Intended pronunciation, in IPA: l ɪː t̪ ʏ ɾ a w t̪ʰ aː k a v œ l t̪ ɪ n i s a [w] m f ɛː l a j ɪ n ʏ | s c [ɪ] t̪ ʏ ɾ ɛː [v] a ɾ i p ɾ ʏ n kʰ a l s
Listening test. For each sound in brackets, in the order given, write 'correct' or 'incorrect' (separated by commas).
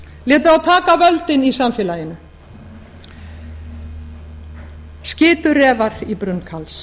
incorrect, incorrect, correct